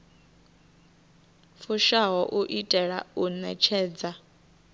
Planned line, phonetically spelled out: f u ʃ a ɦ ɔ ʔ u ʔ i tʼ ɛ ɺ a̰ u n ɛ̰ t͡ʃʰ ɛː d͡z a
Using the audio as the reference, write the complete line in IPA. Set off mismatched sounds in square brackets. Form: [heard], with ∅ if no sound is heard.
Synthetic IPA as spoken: f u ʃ a ɦ ɔ ʔ u ʔ i tʼ ɛ ɺ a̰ u n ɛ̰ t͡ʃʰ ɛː d͡z a

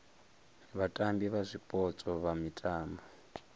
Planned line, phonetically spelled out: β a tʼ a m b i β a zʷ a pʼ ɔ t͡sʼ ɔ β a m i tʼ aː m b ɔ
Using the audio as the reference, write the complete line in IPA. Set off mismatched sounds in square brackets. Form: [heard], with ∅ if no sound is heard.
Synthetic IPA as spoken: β a tʼ a m b i β a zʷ [i] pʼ ɔ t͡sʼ ɔ β a m i tʼ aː m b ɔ

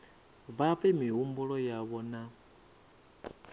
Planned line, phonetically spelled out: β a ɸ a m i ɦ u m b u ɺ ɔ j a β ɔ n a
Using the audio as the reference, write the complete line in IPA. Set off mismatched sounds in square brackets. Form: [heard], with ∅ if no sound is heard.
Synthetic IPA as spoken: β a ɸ [ɛ] m i ɦ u m b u ɺ ɔ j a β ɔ n a

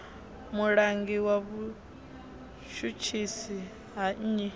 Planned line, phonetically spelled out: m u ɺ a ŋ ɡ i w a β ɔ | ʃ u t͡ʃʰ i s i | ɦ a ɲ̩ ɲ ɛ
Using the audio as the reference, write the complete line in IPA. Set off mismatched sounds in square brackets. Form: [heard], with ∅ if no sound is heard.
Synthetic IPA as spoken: m u ɺ a ŋ ɡ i w a β [u] | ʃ u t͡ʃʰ i s i | ɦ a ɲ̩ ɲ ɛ

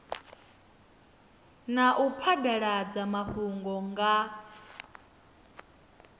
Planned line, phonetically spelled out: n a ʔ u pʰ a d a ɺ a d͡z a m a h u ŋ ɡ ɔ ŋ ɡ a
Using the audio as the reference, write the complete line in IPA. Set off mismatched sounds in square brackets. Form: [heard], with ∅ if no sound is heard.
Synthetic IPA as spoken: n a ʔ u pʰ a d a ɺ a d͡z a m a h u ŋ ɡ ɔ ŋ ɡ a

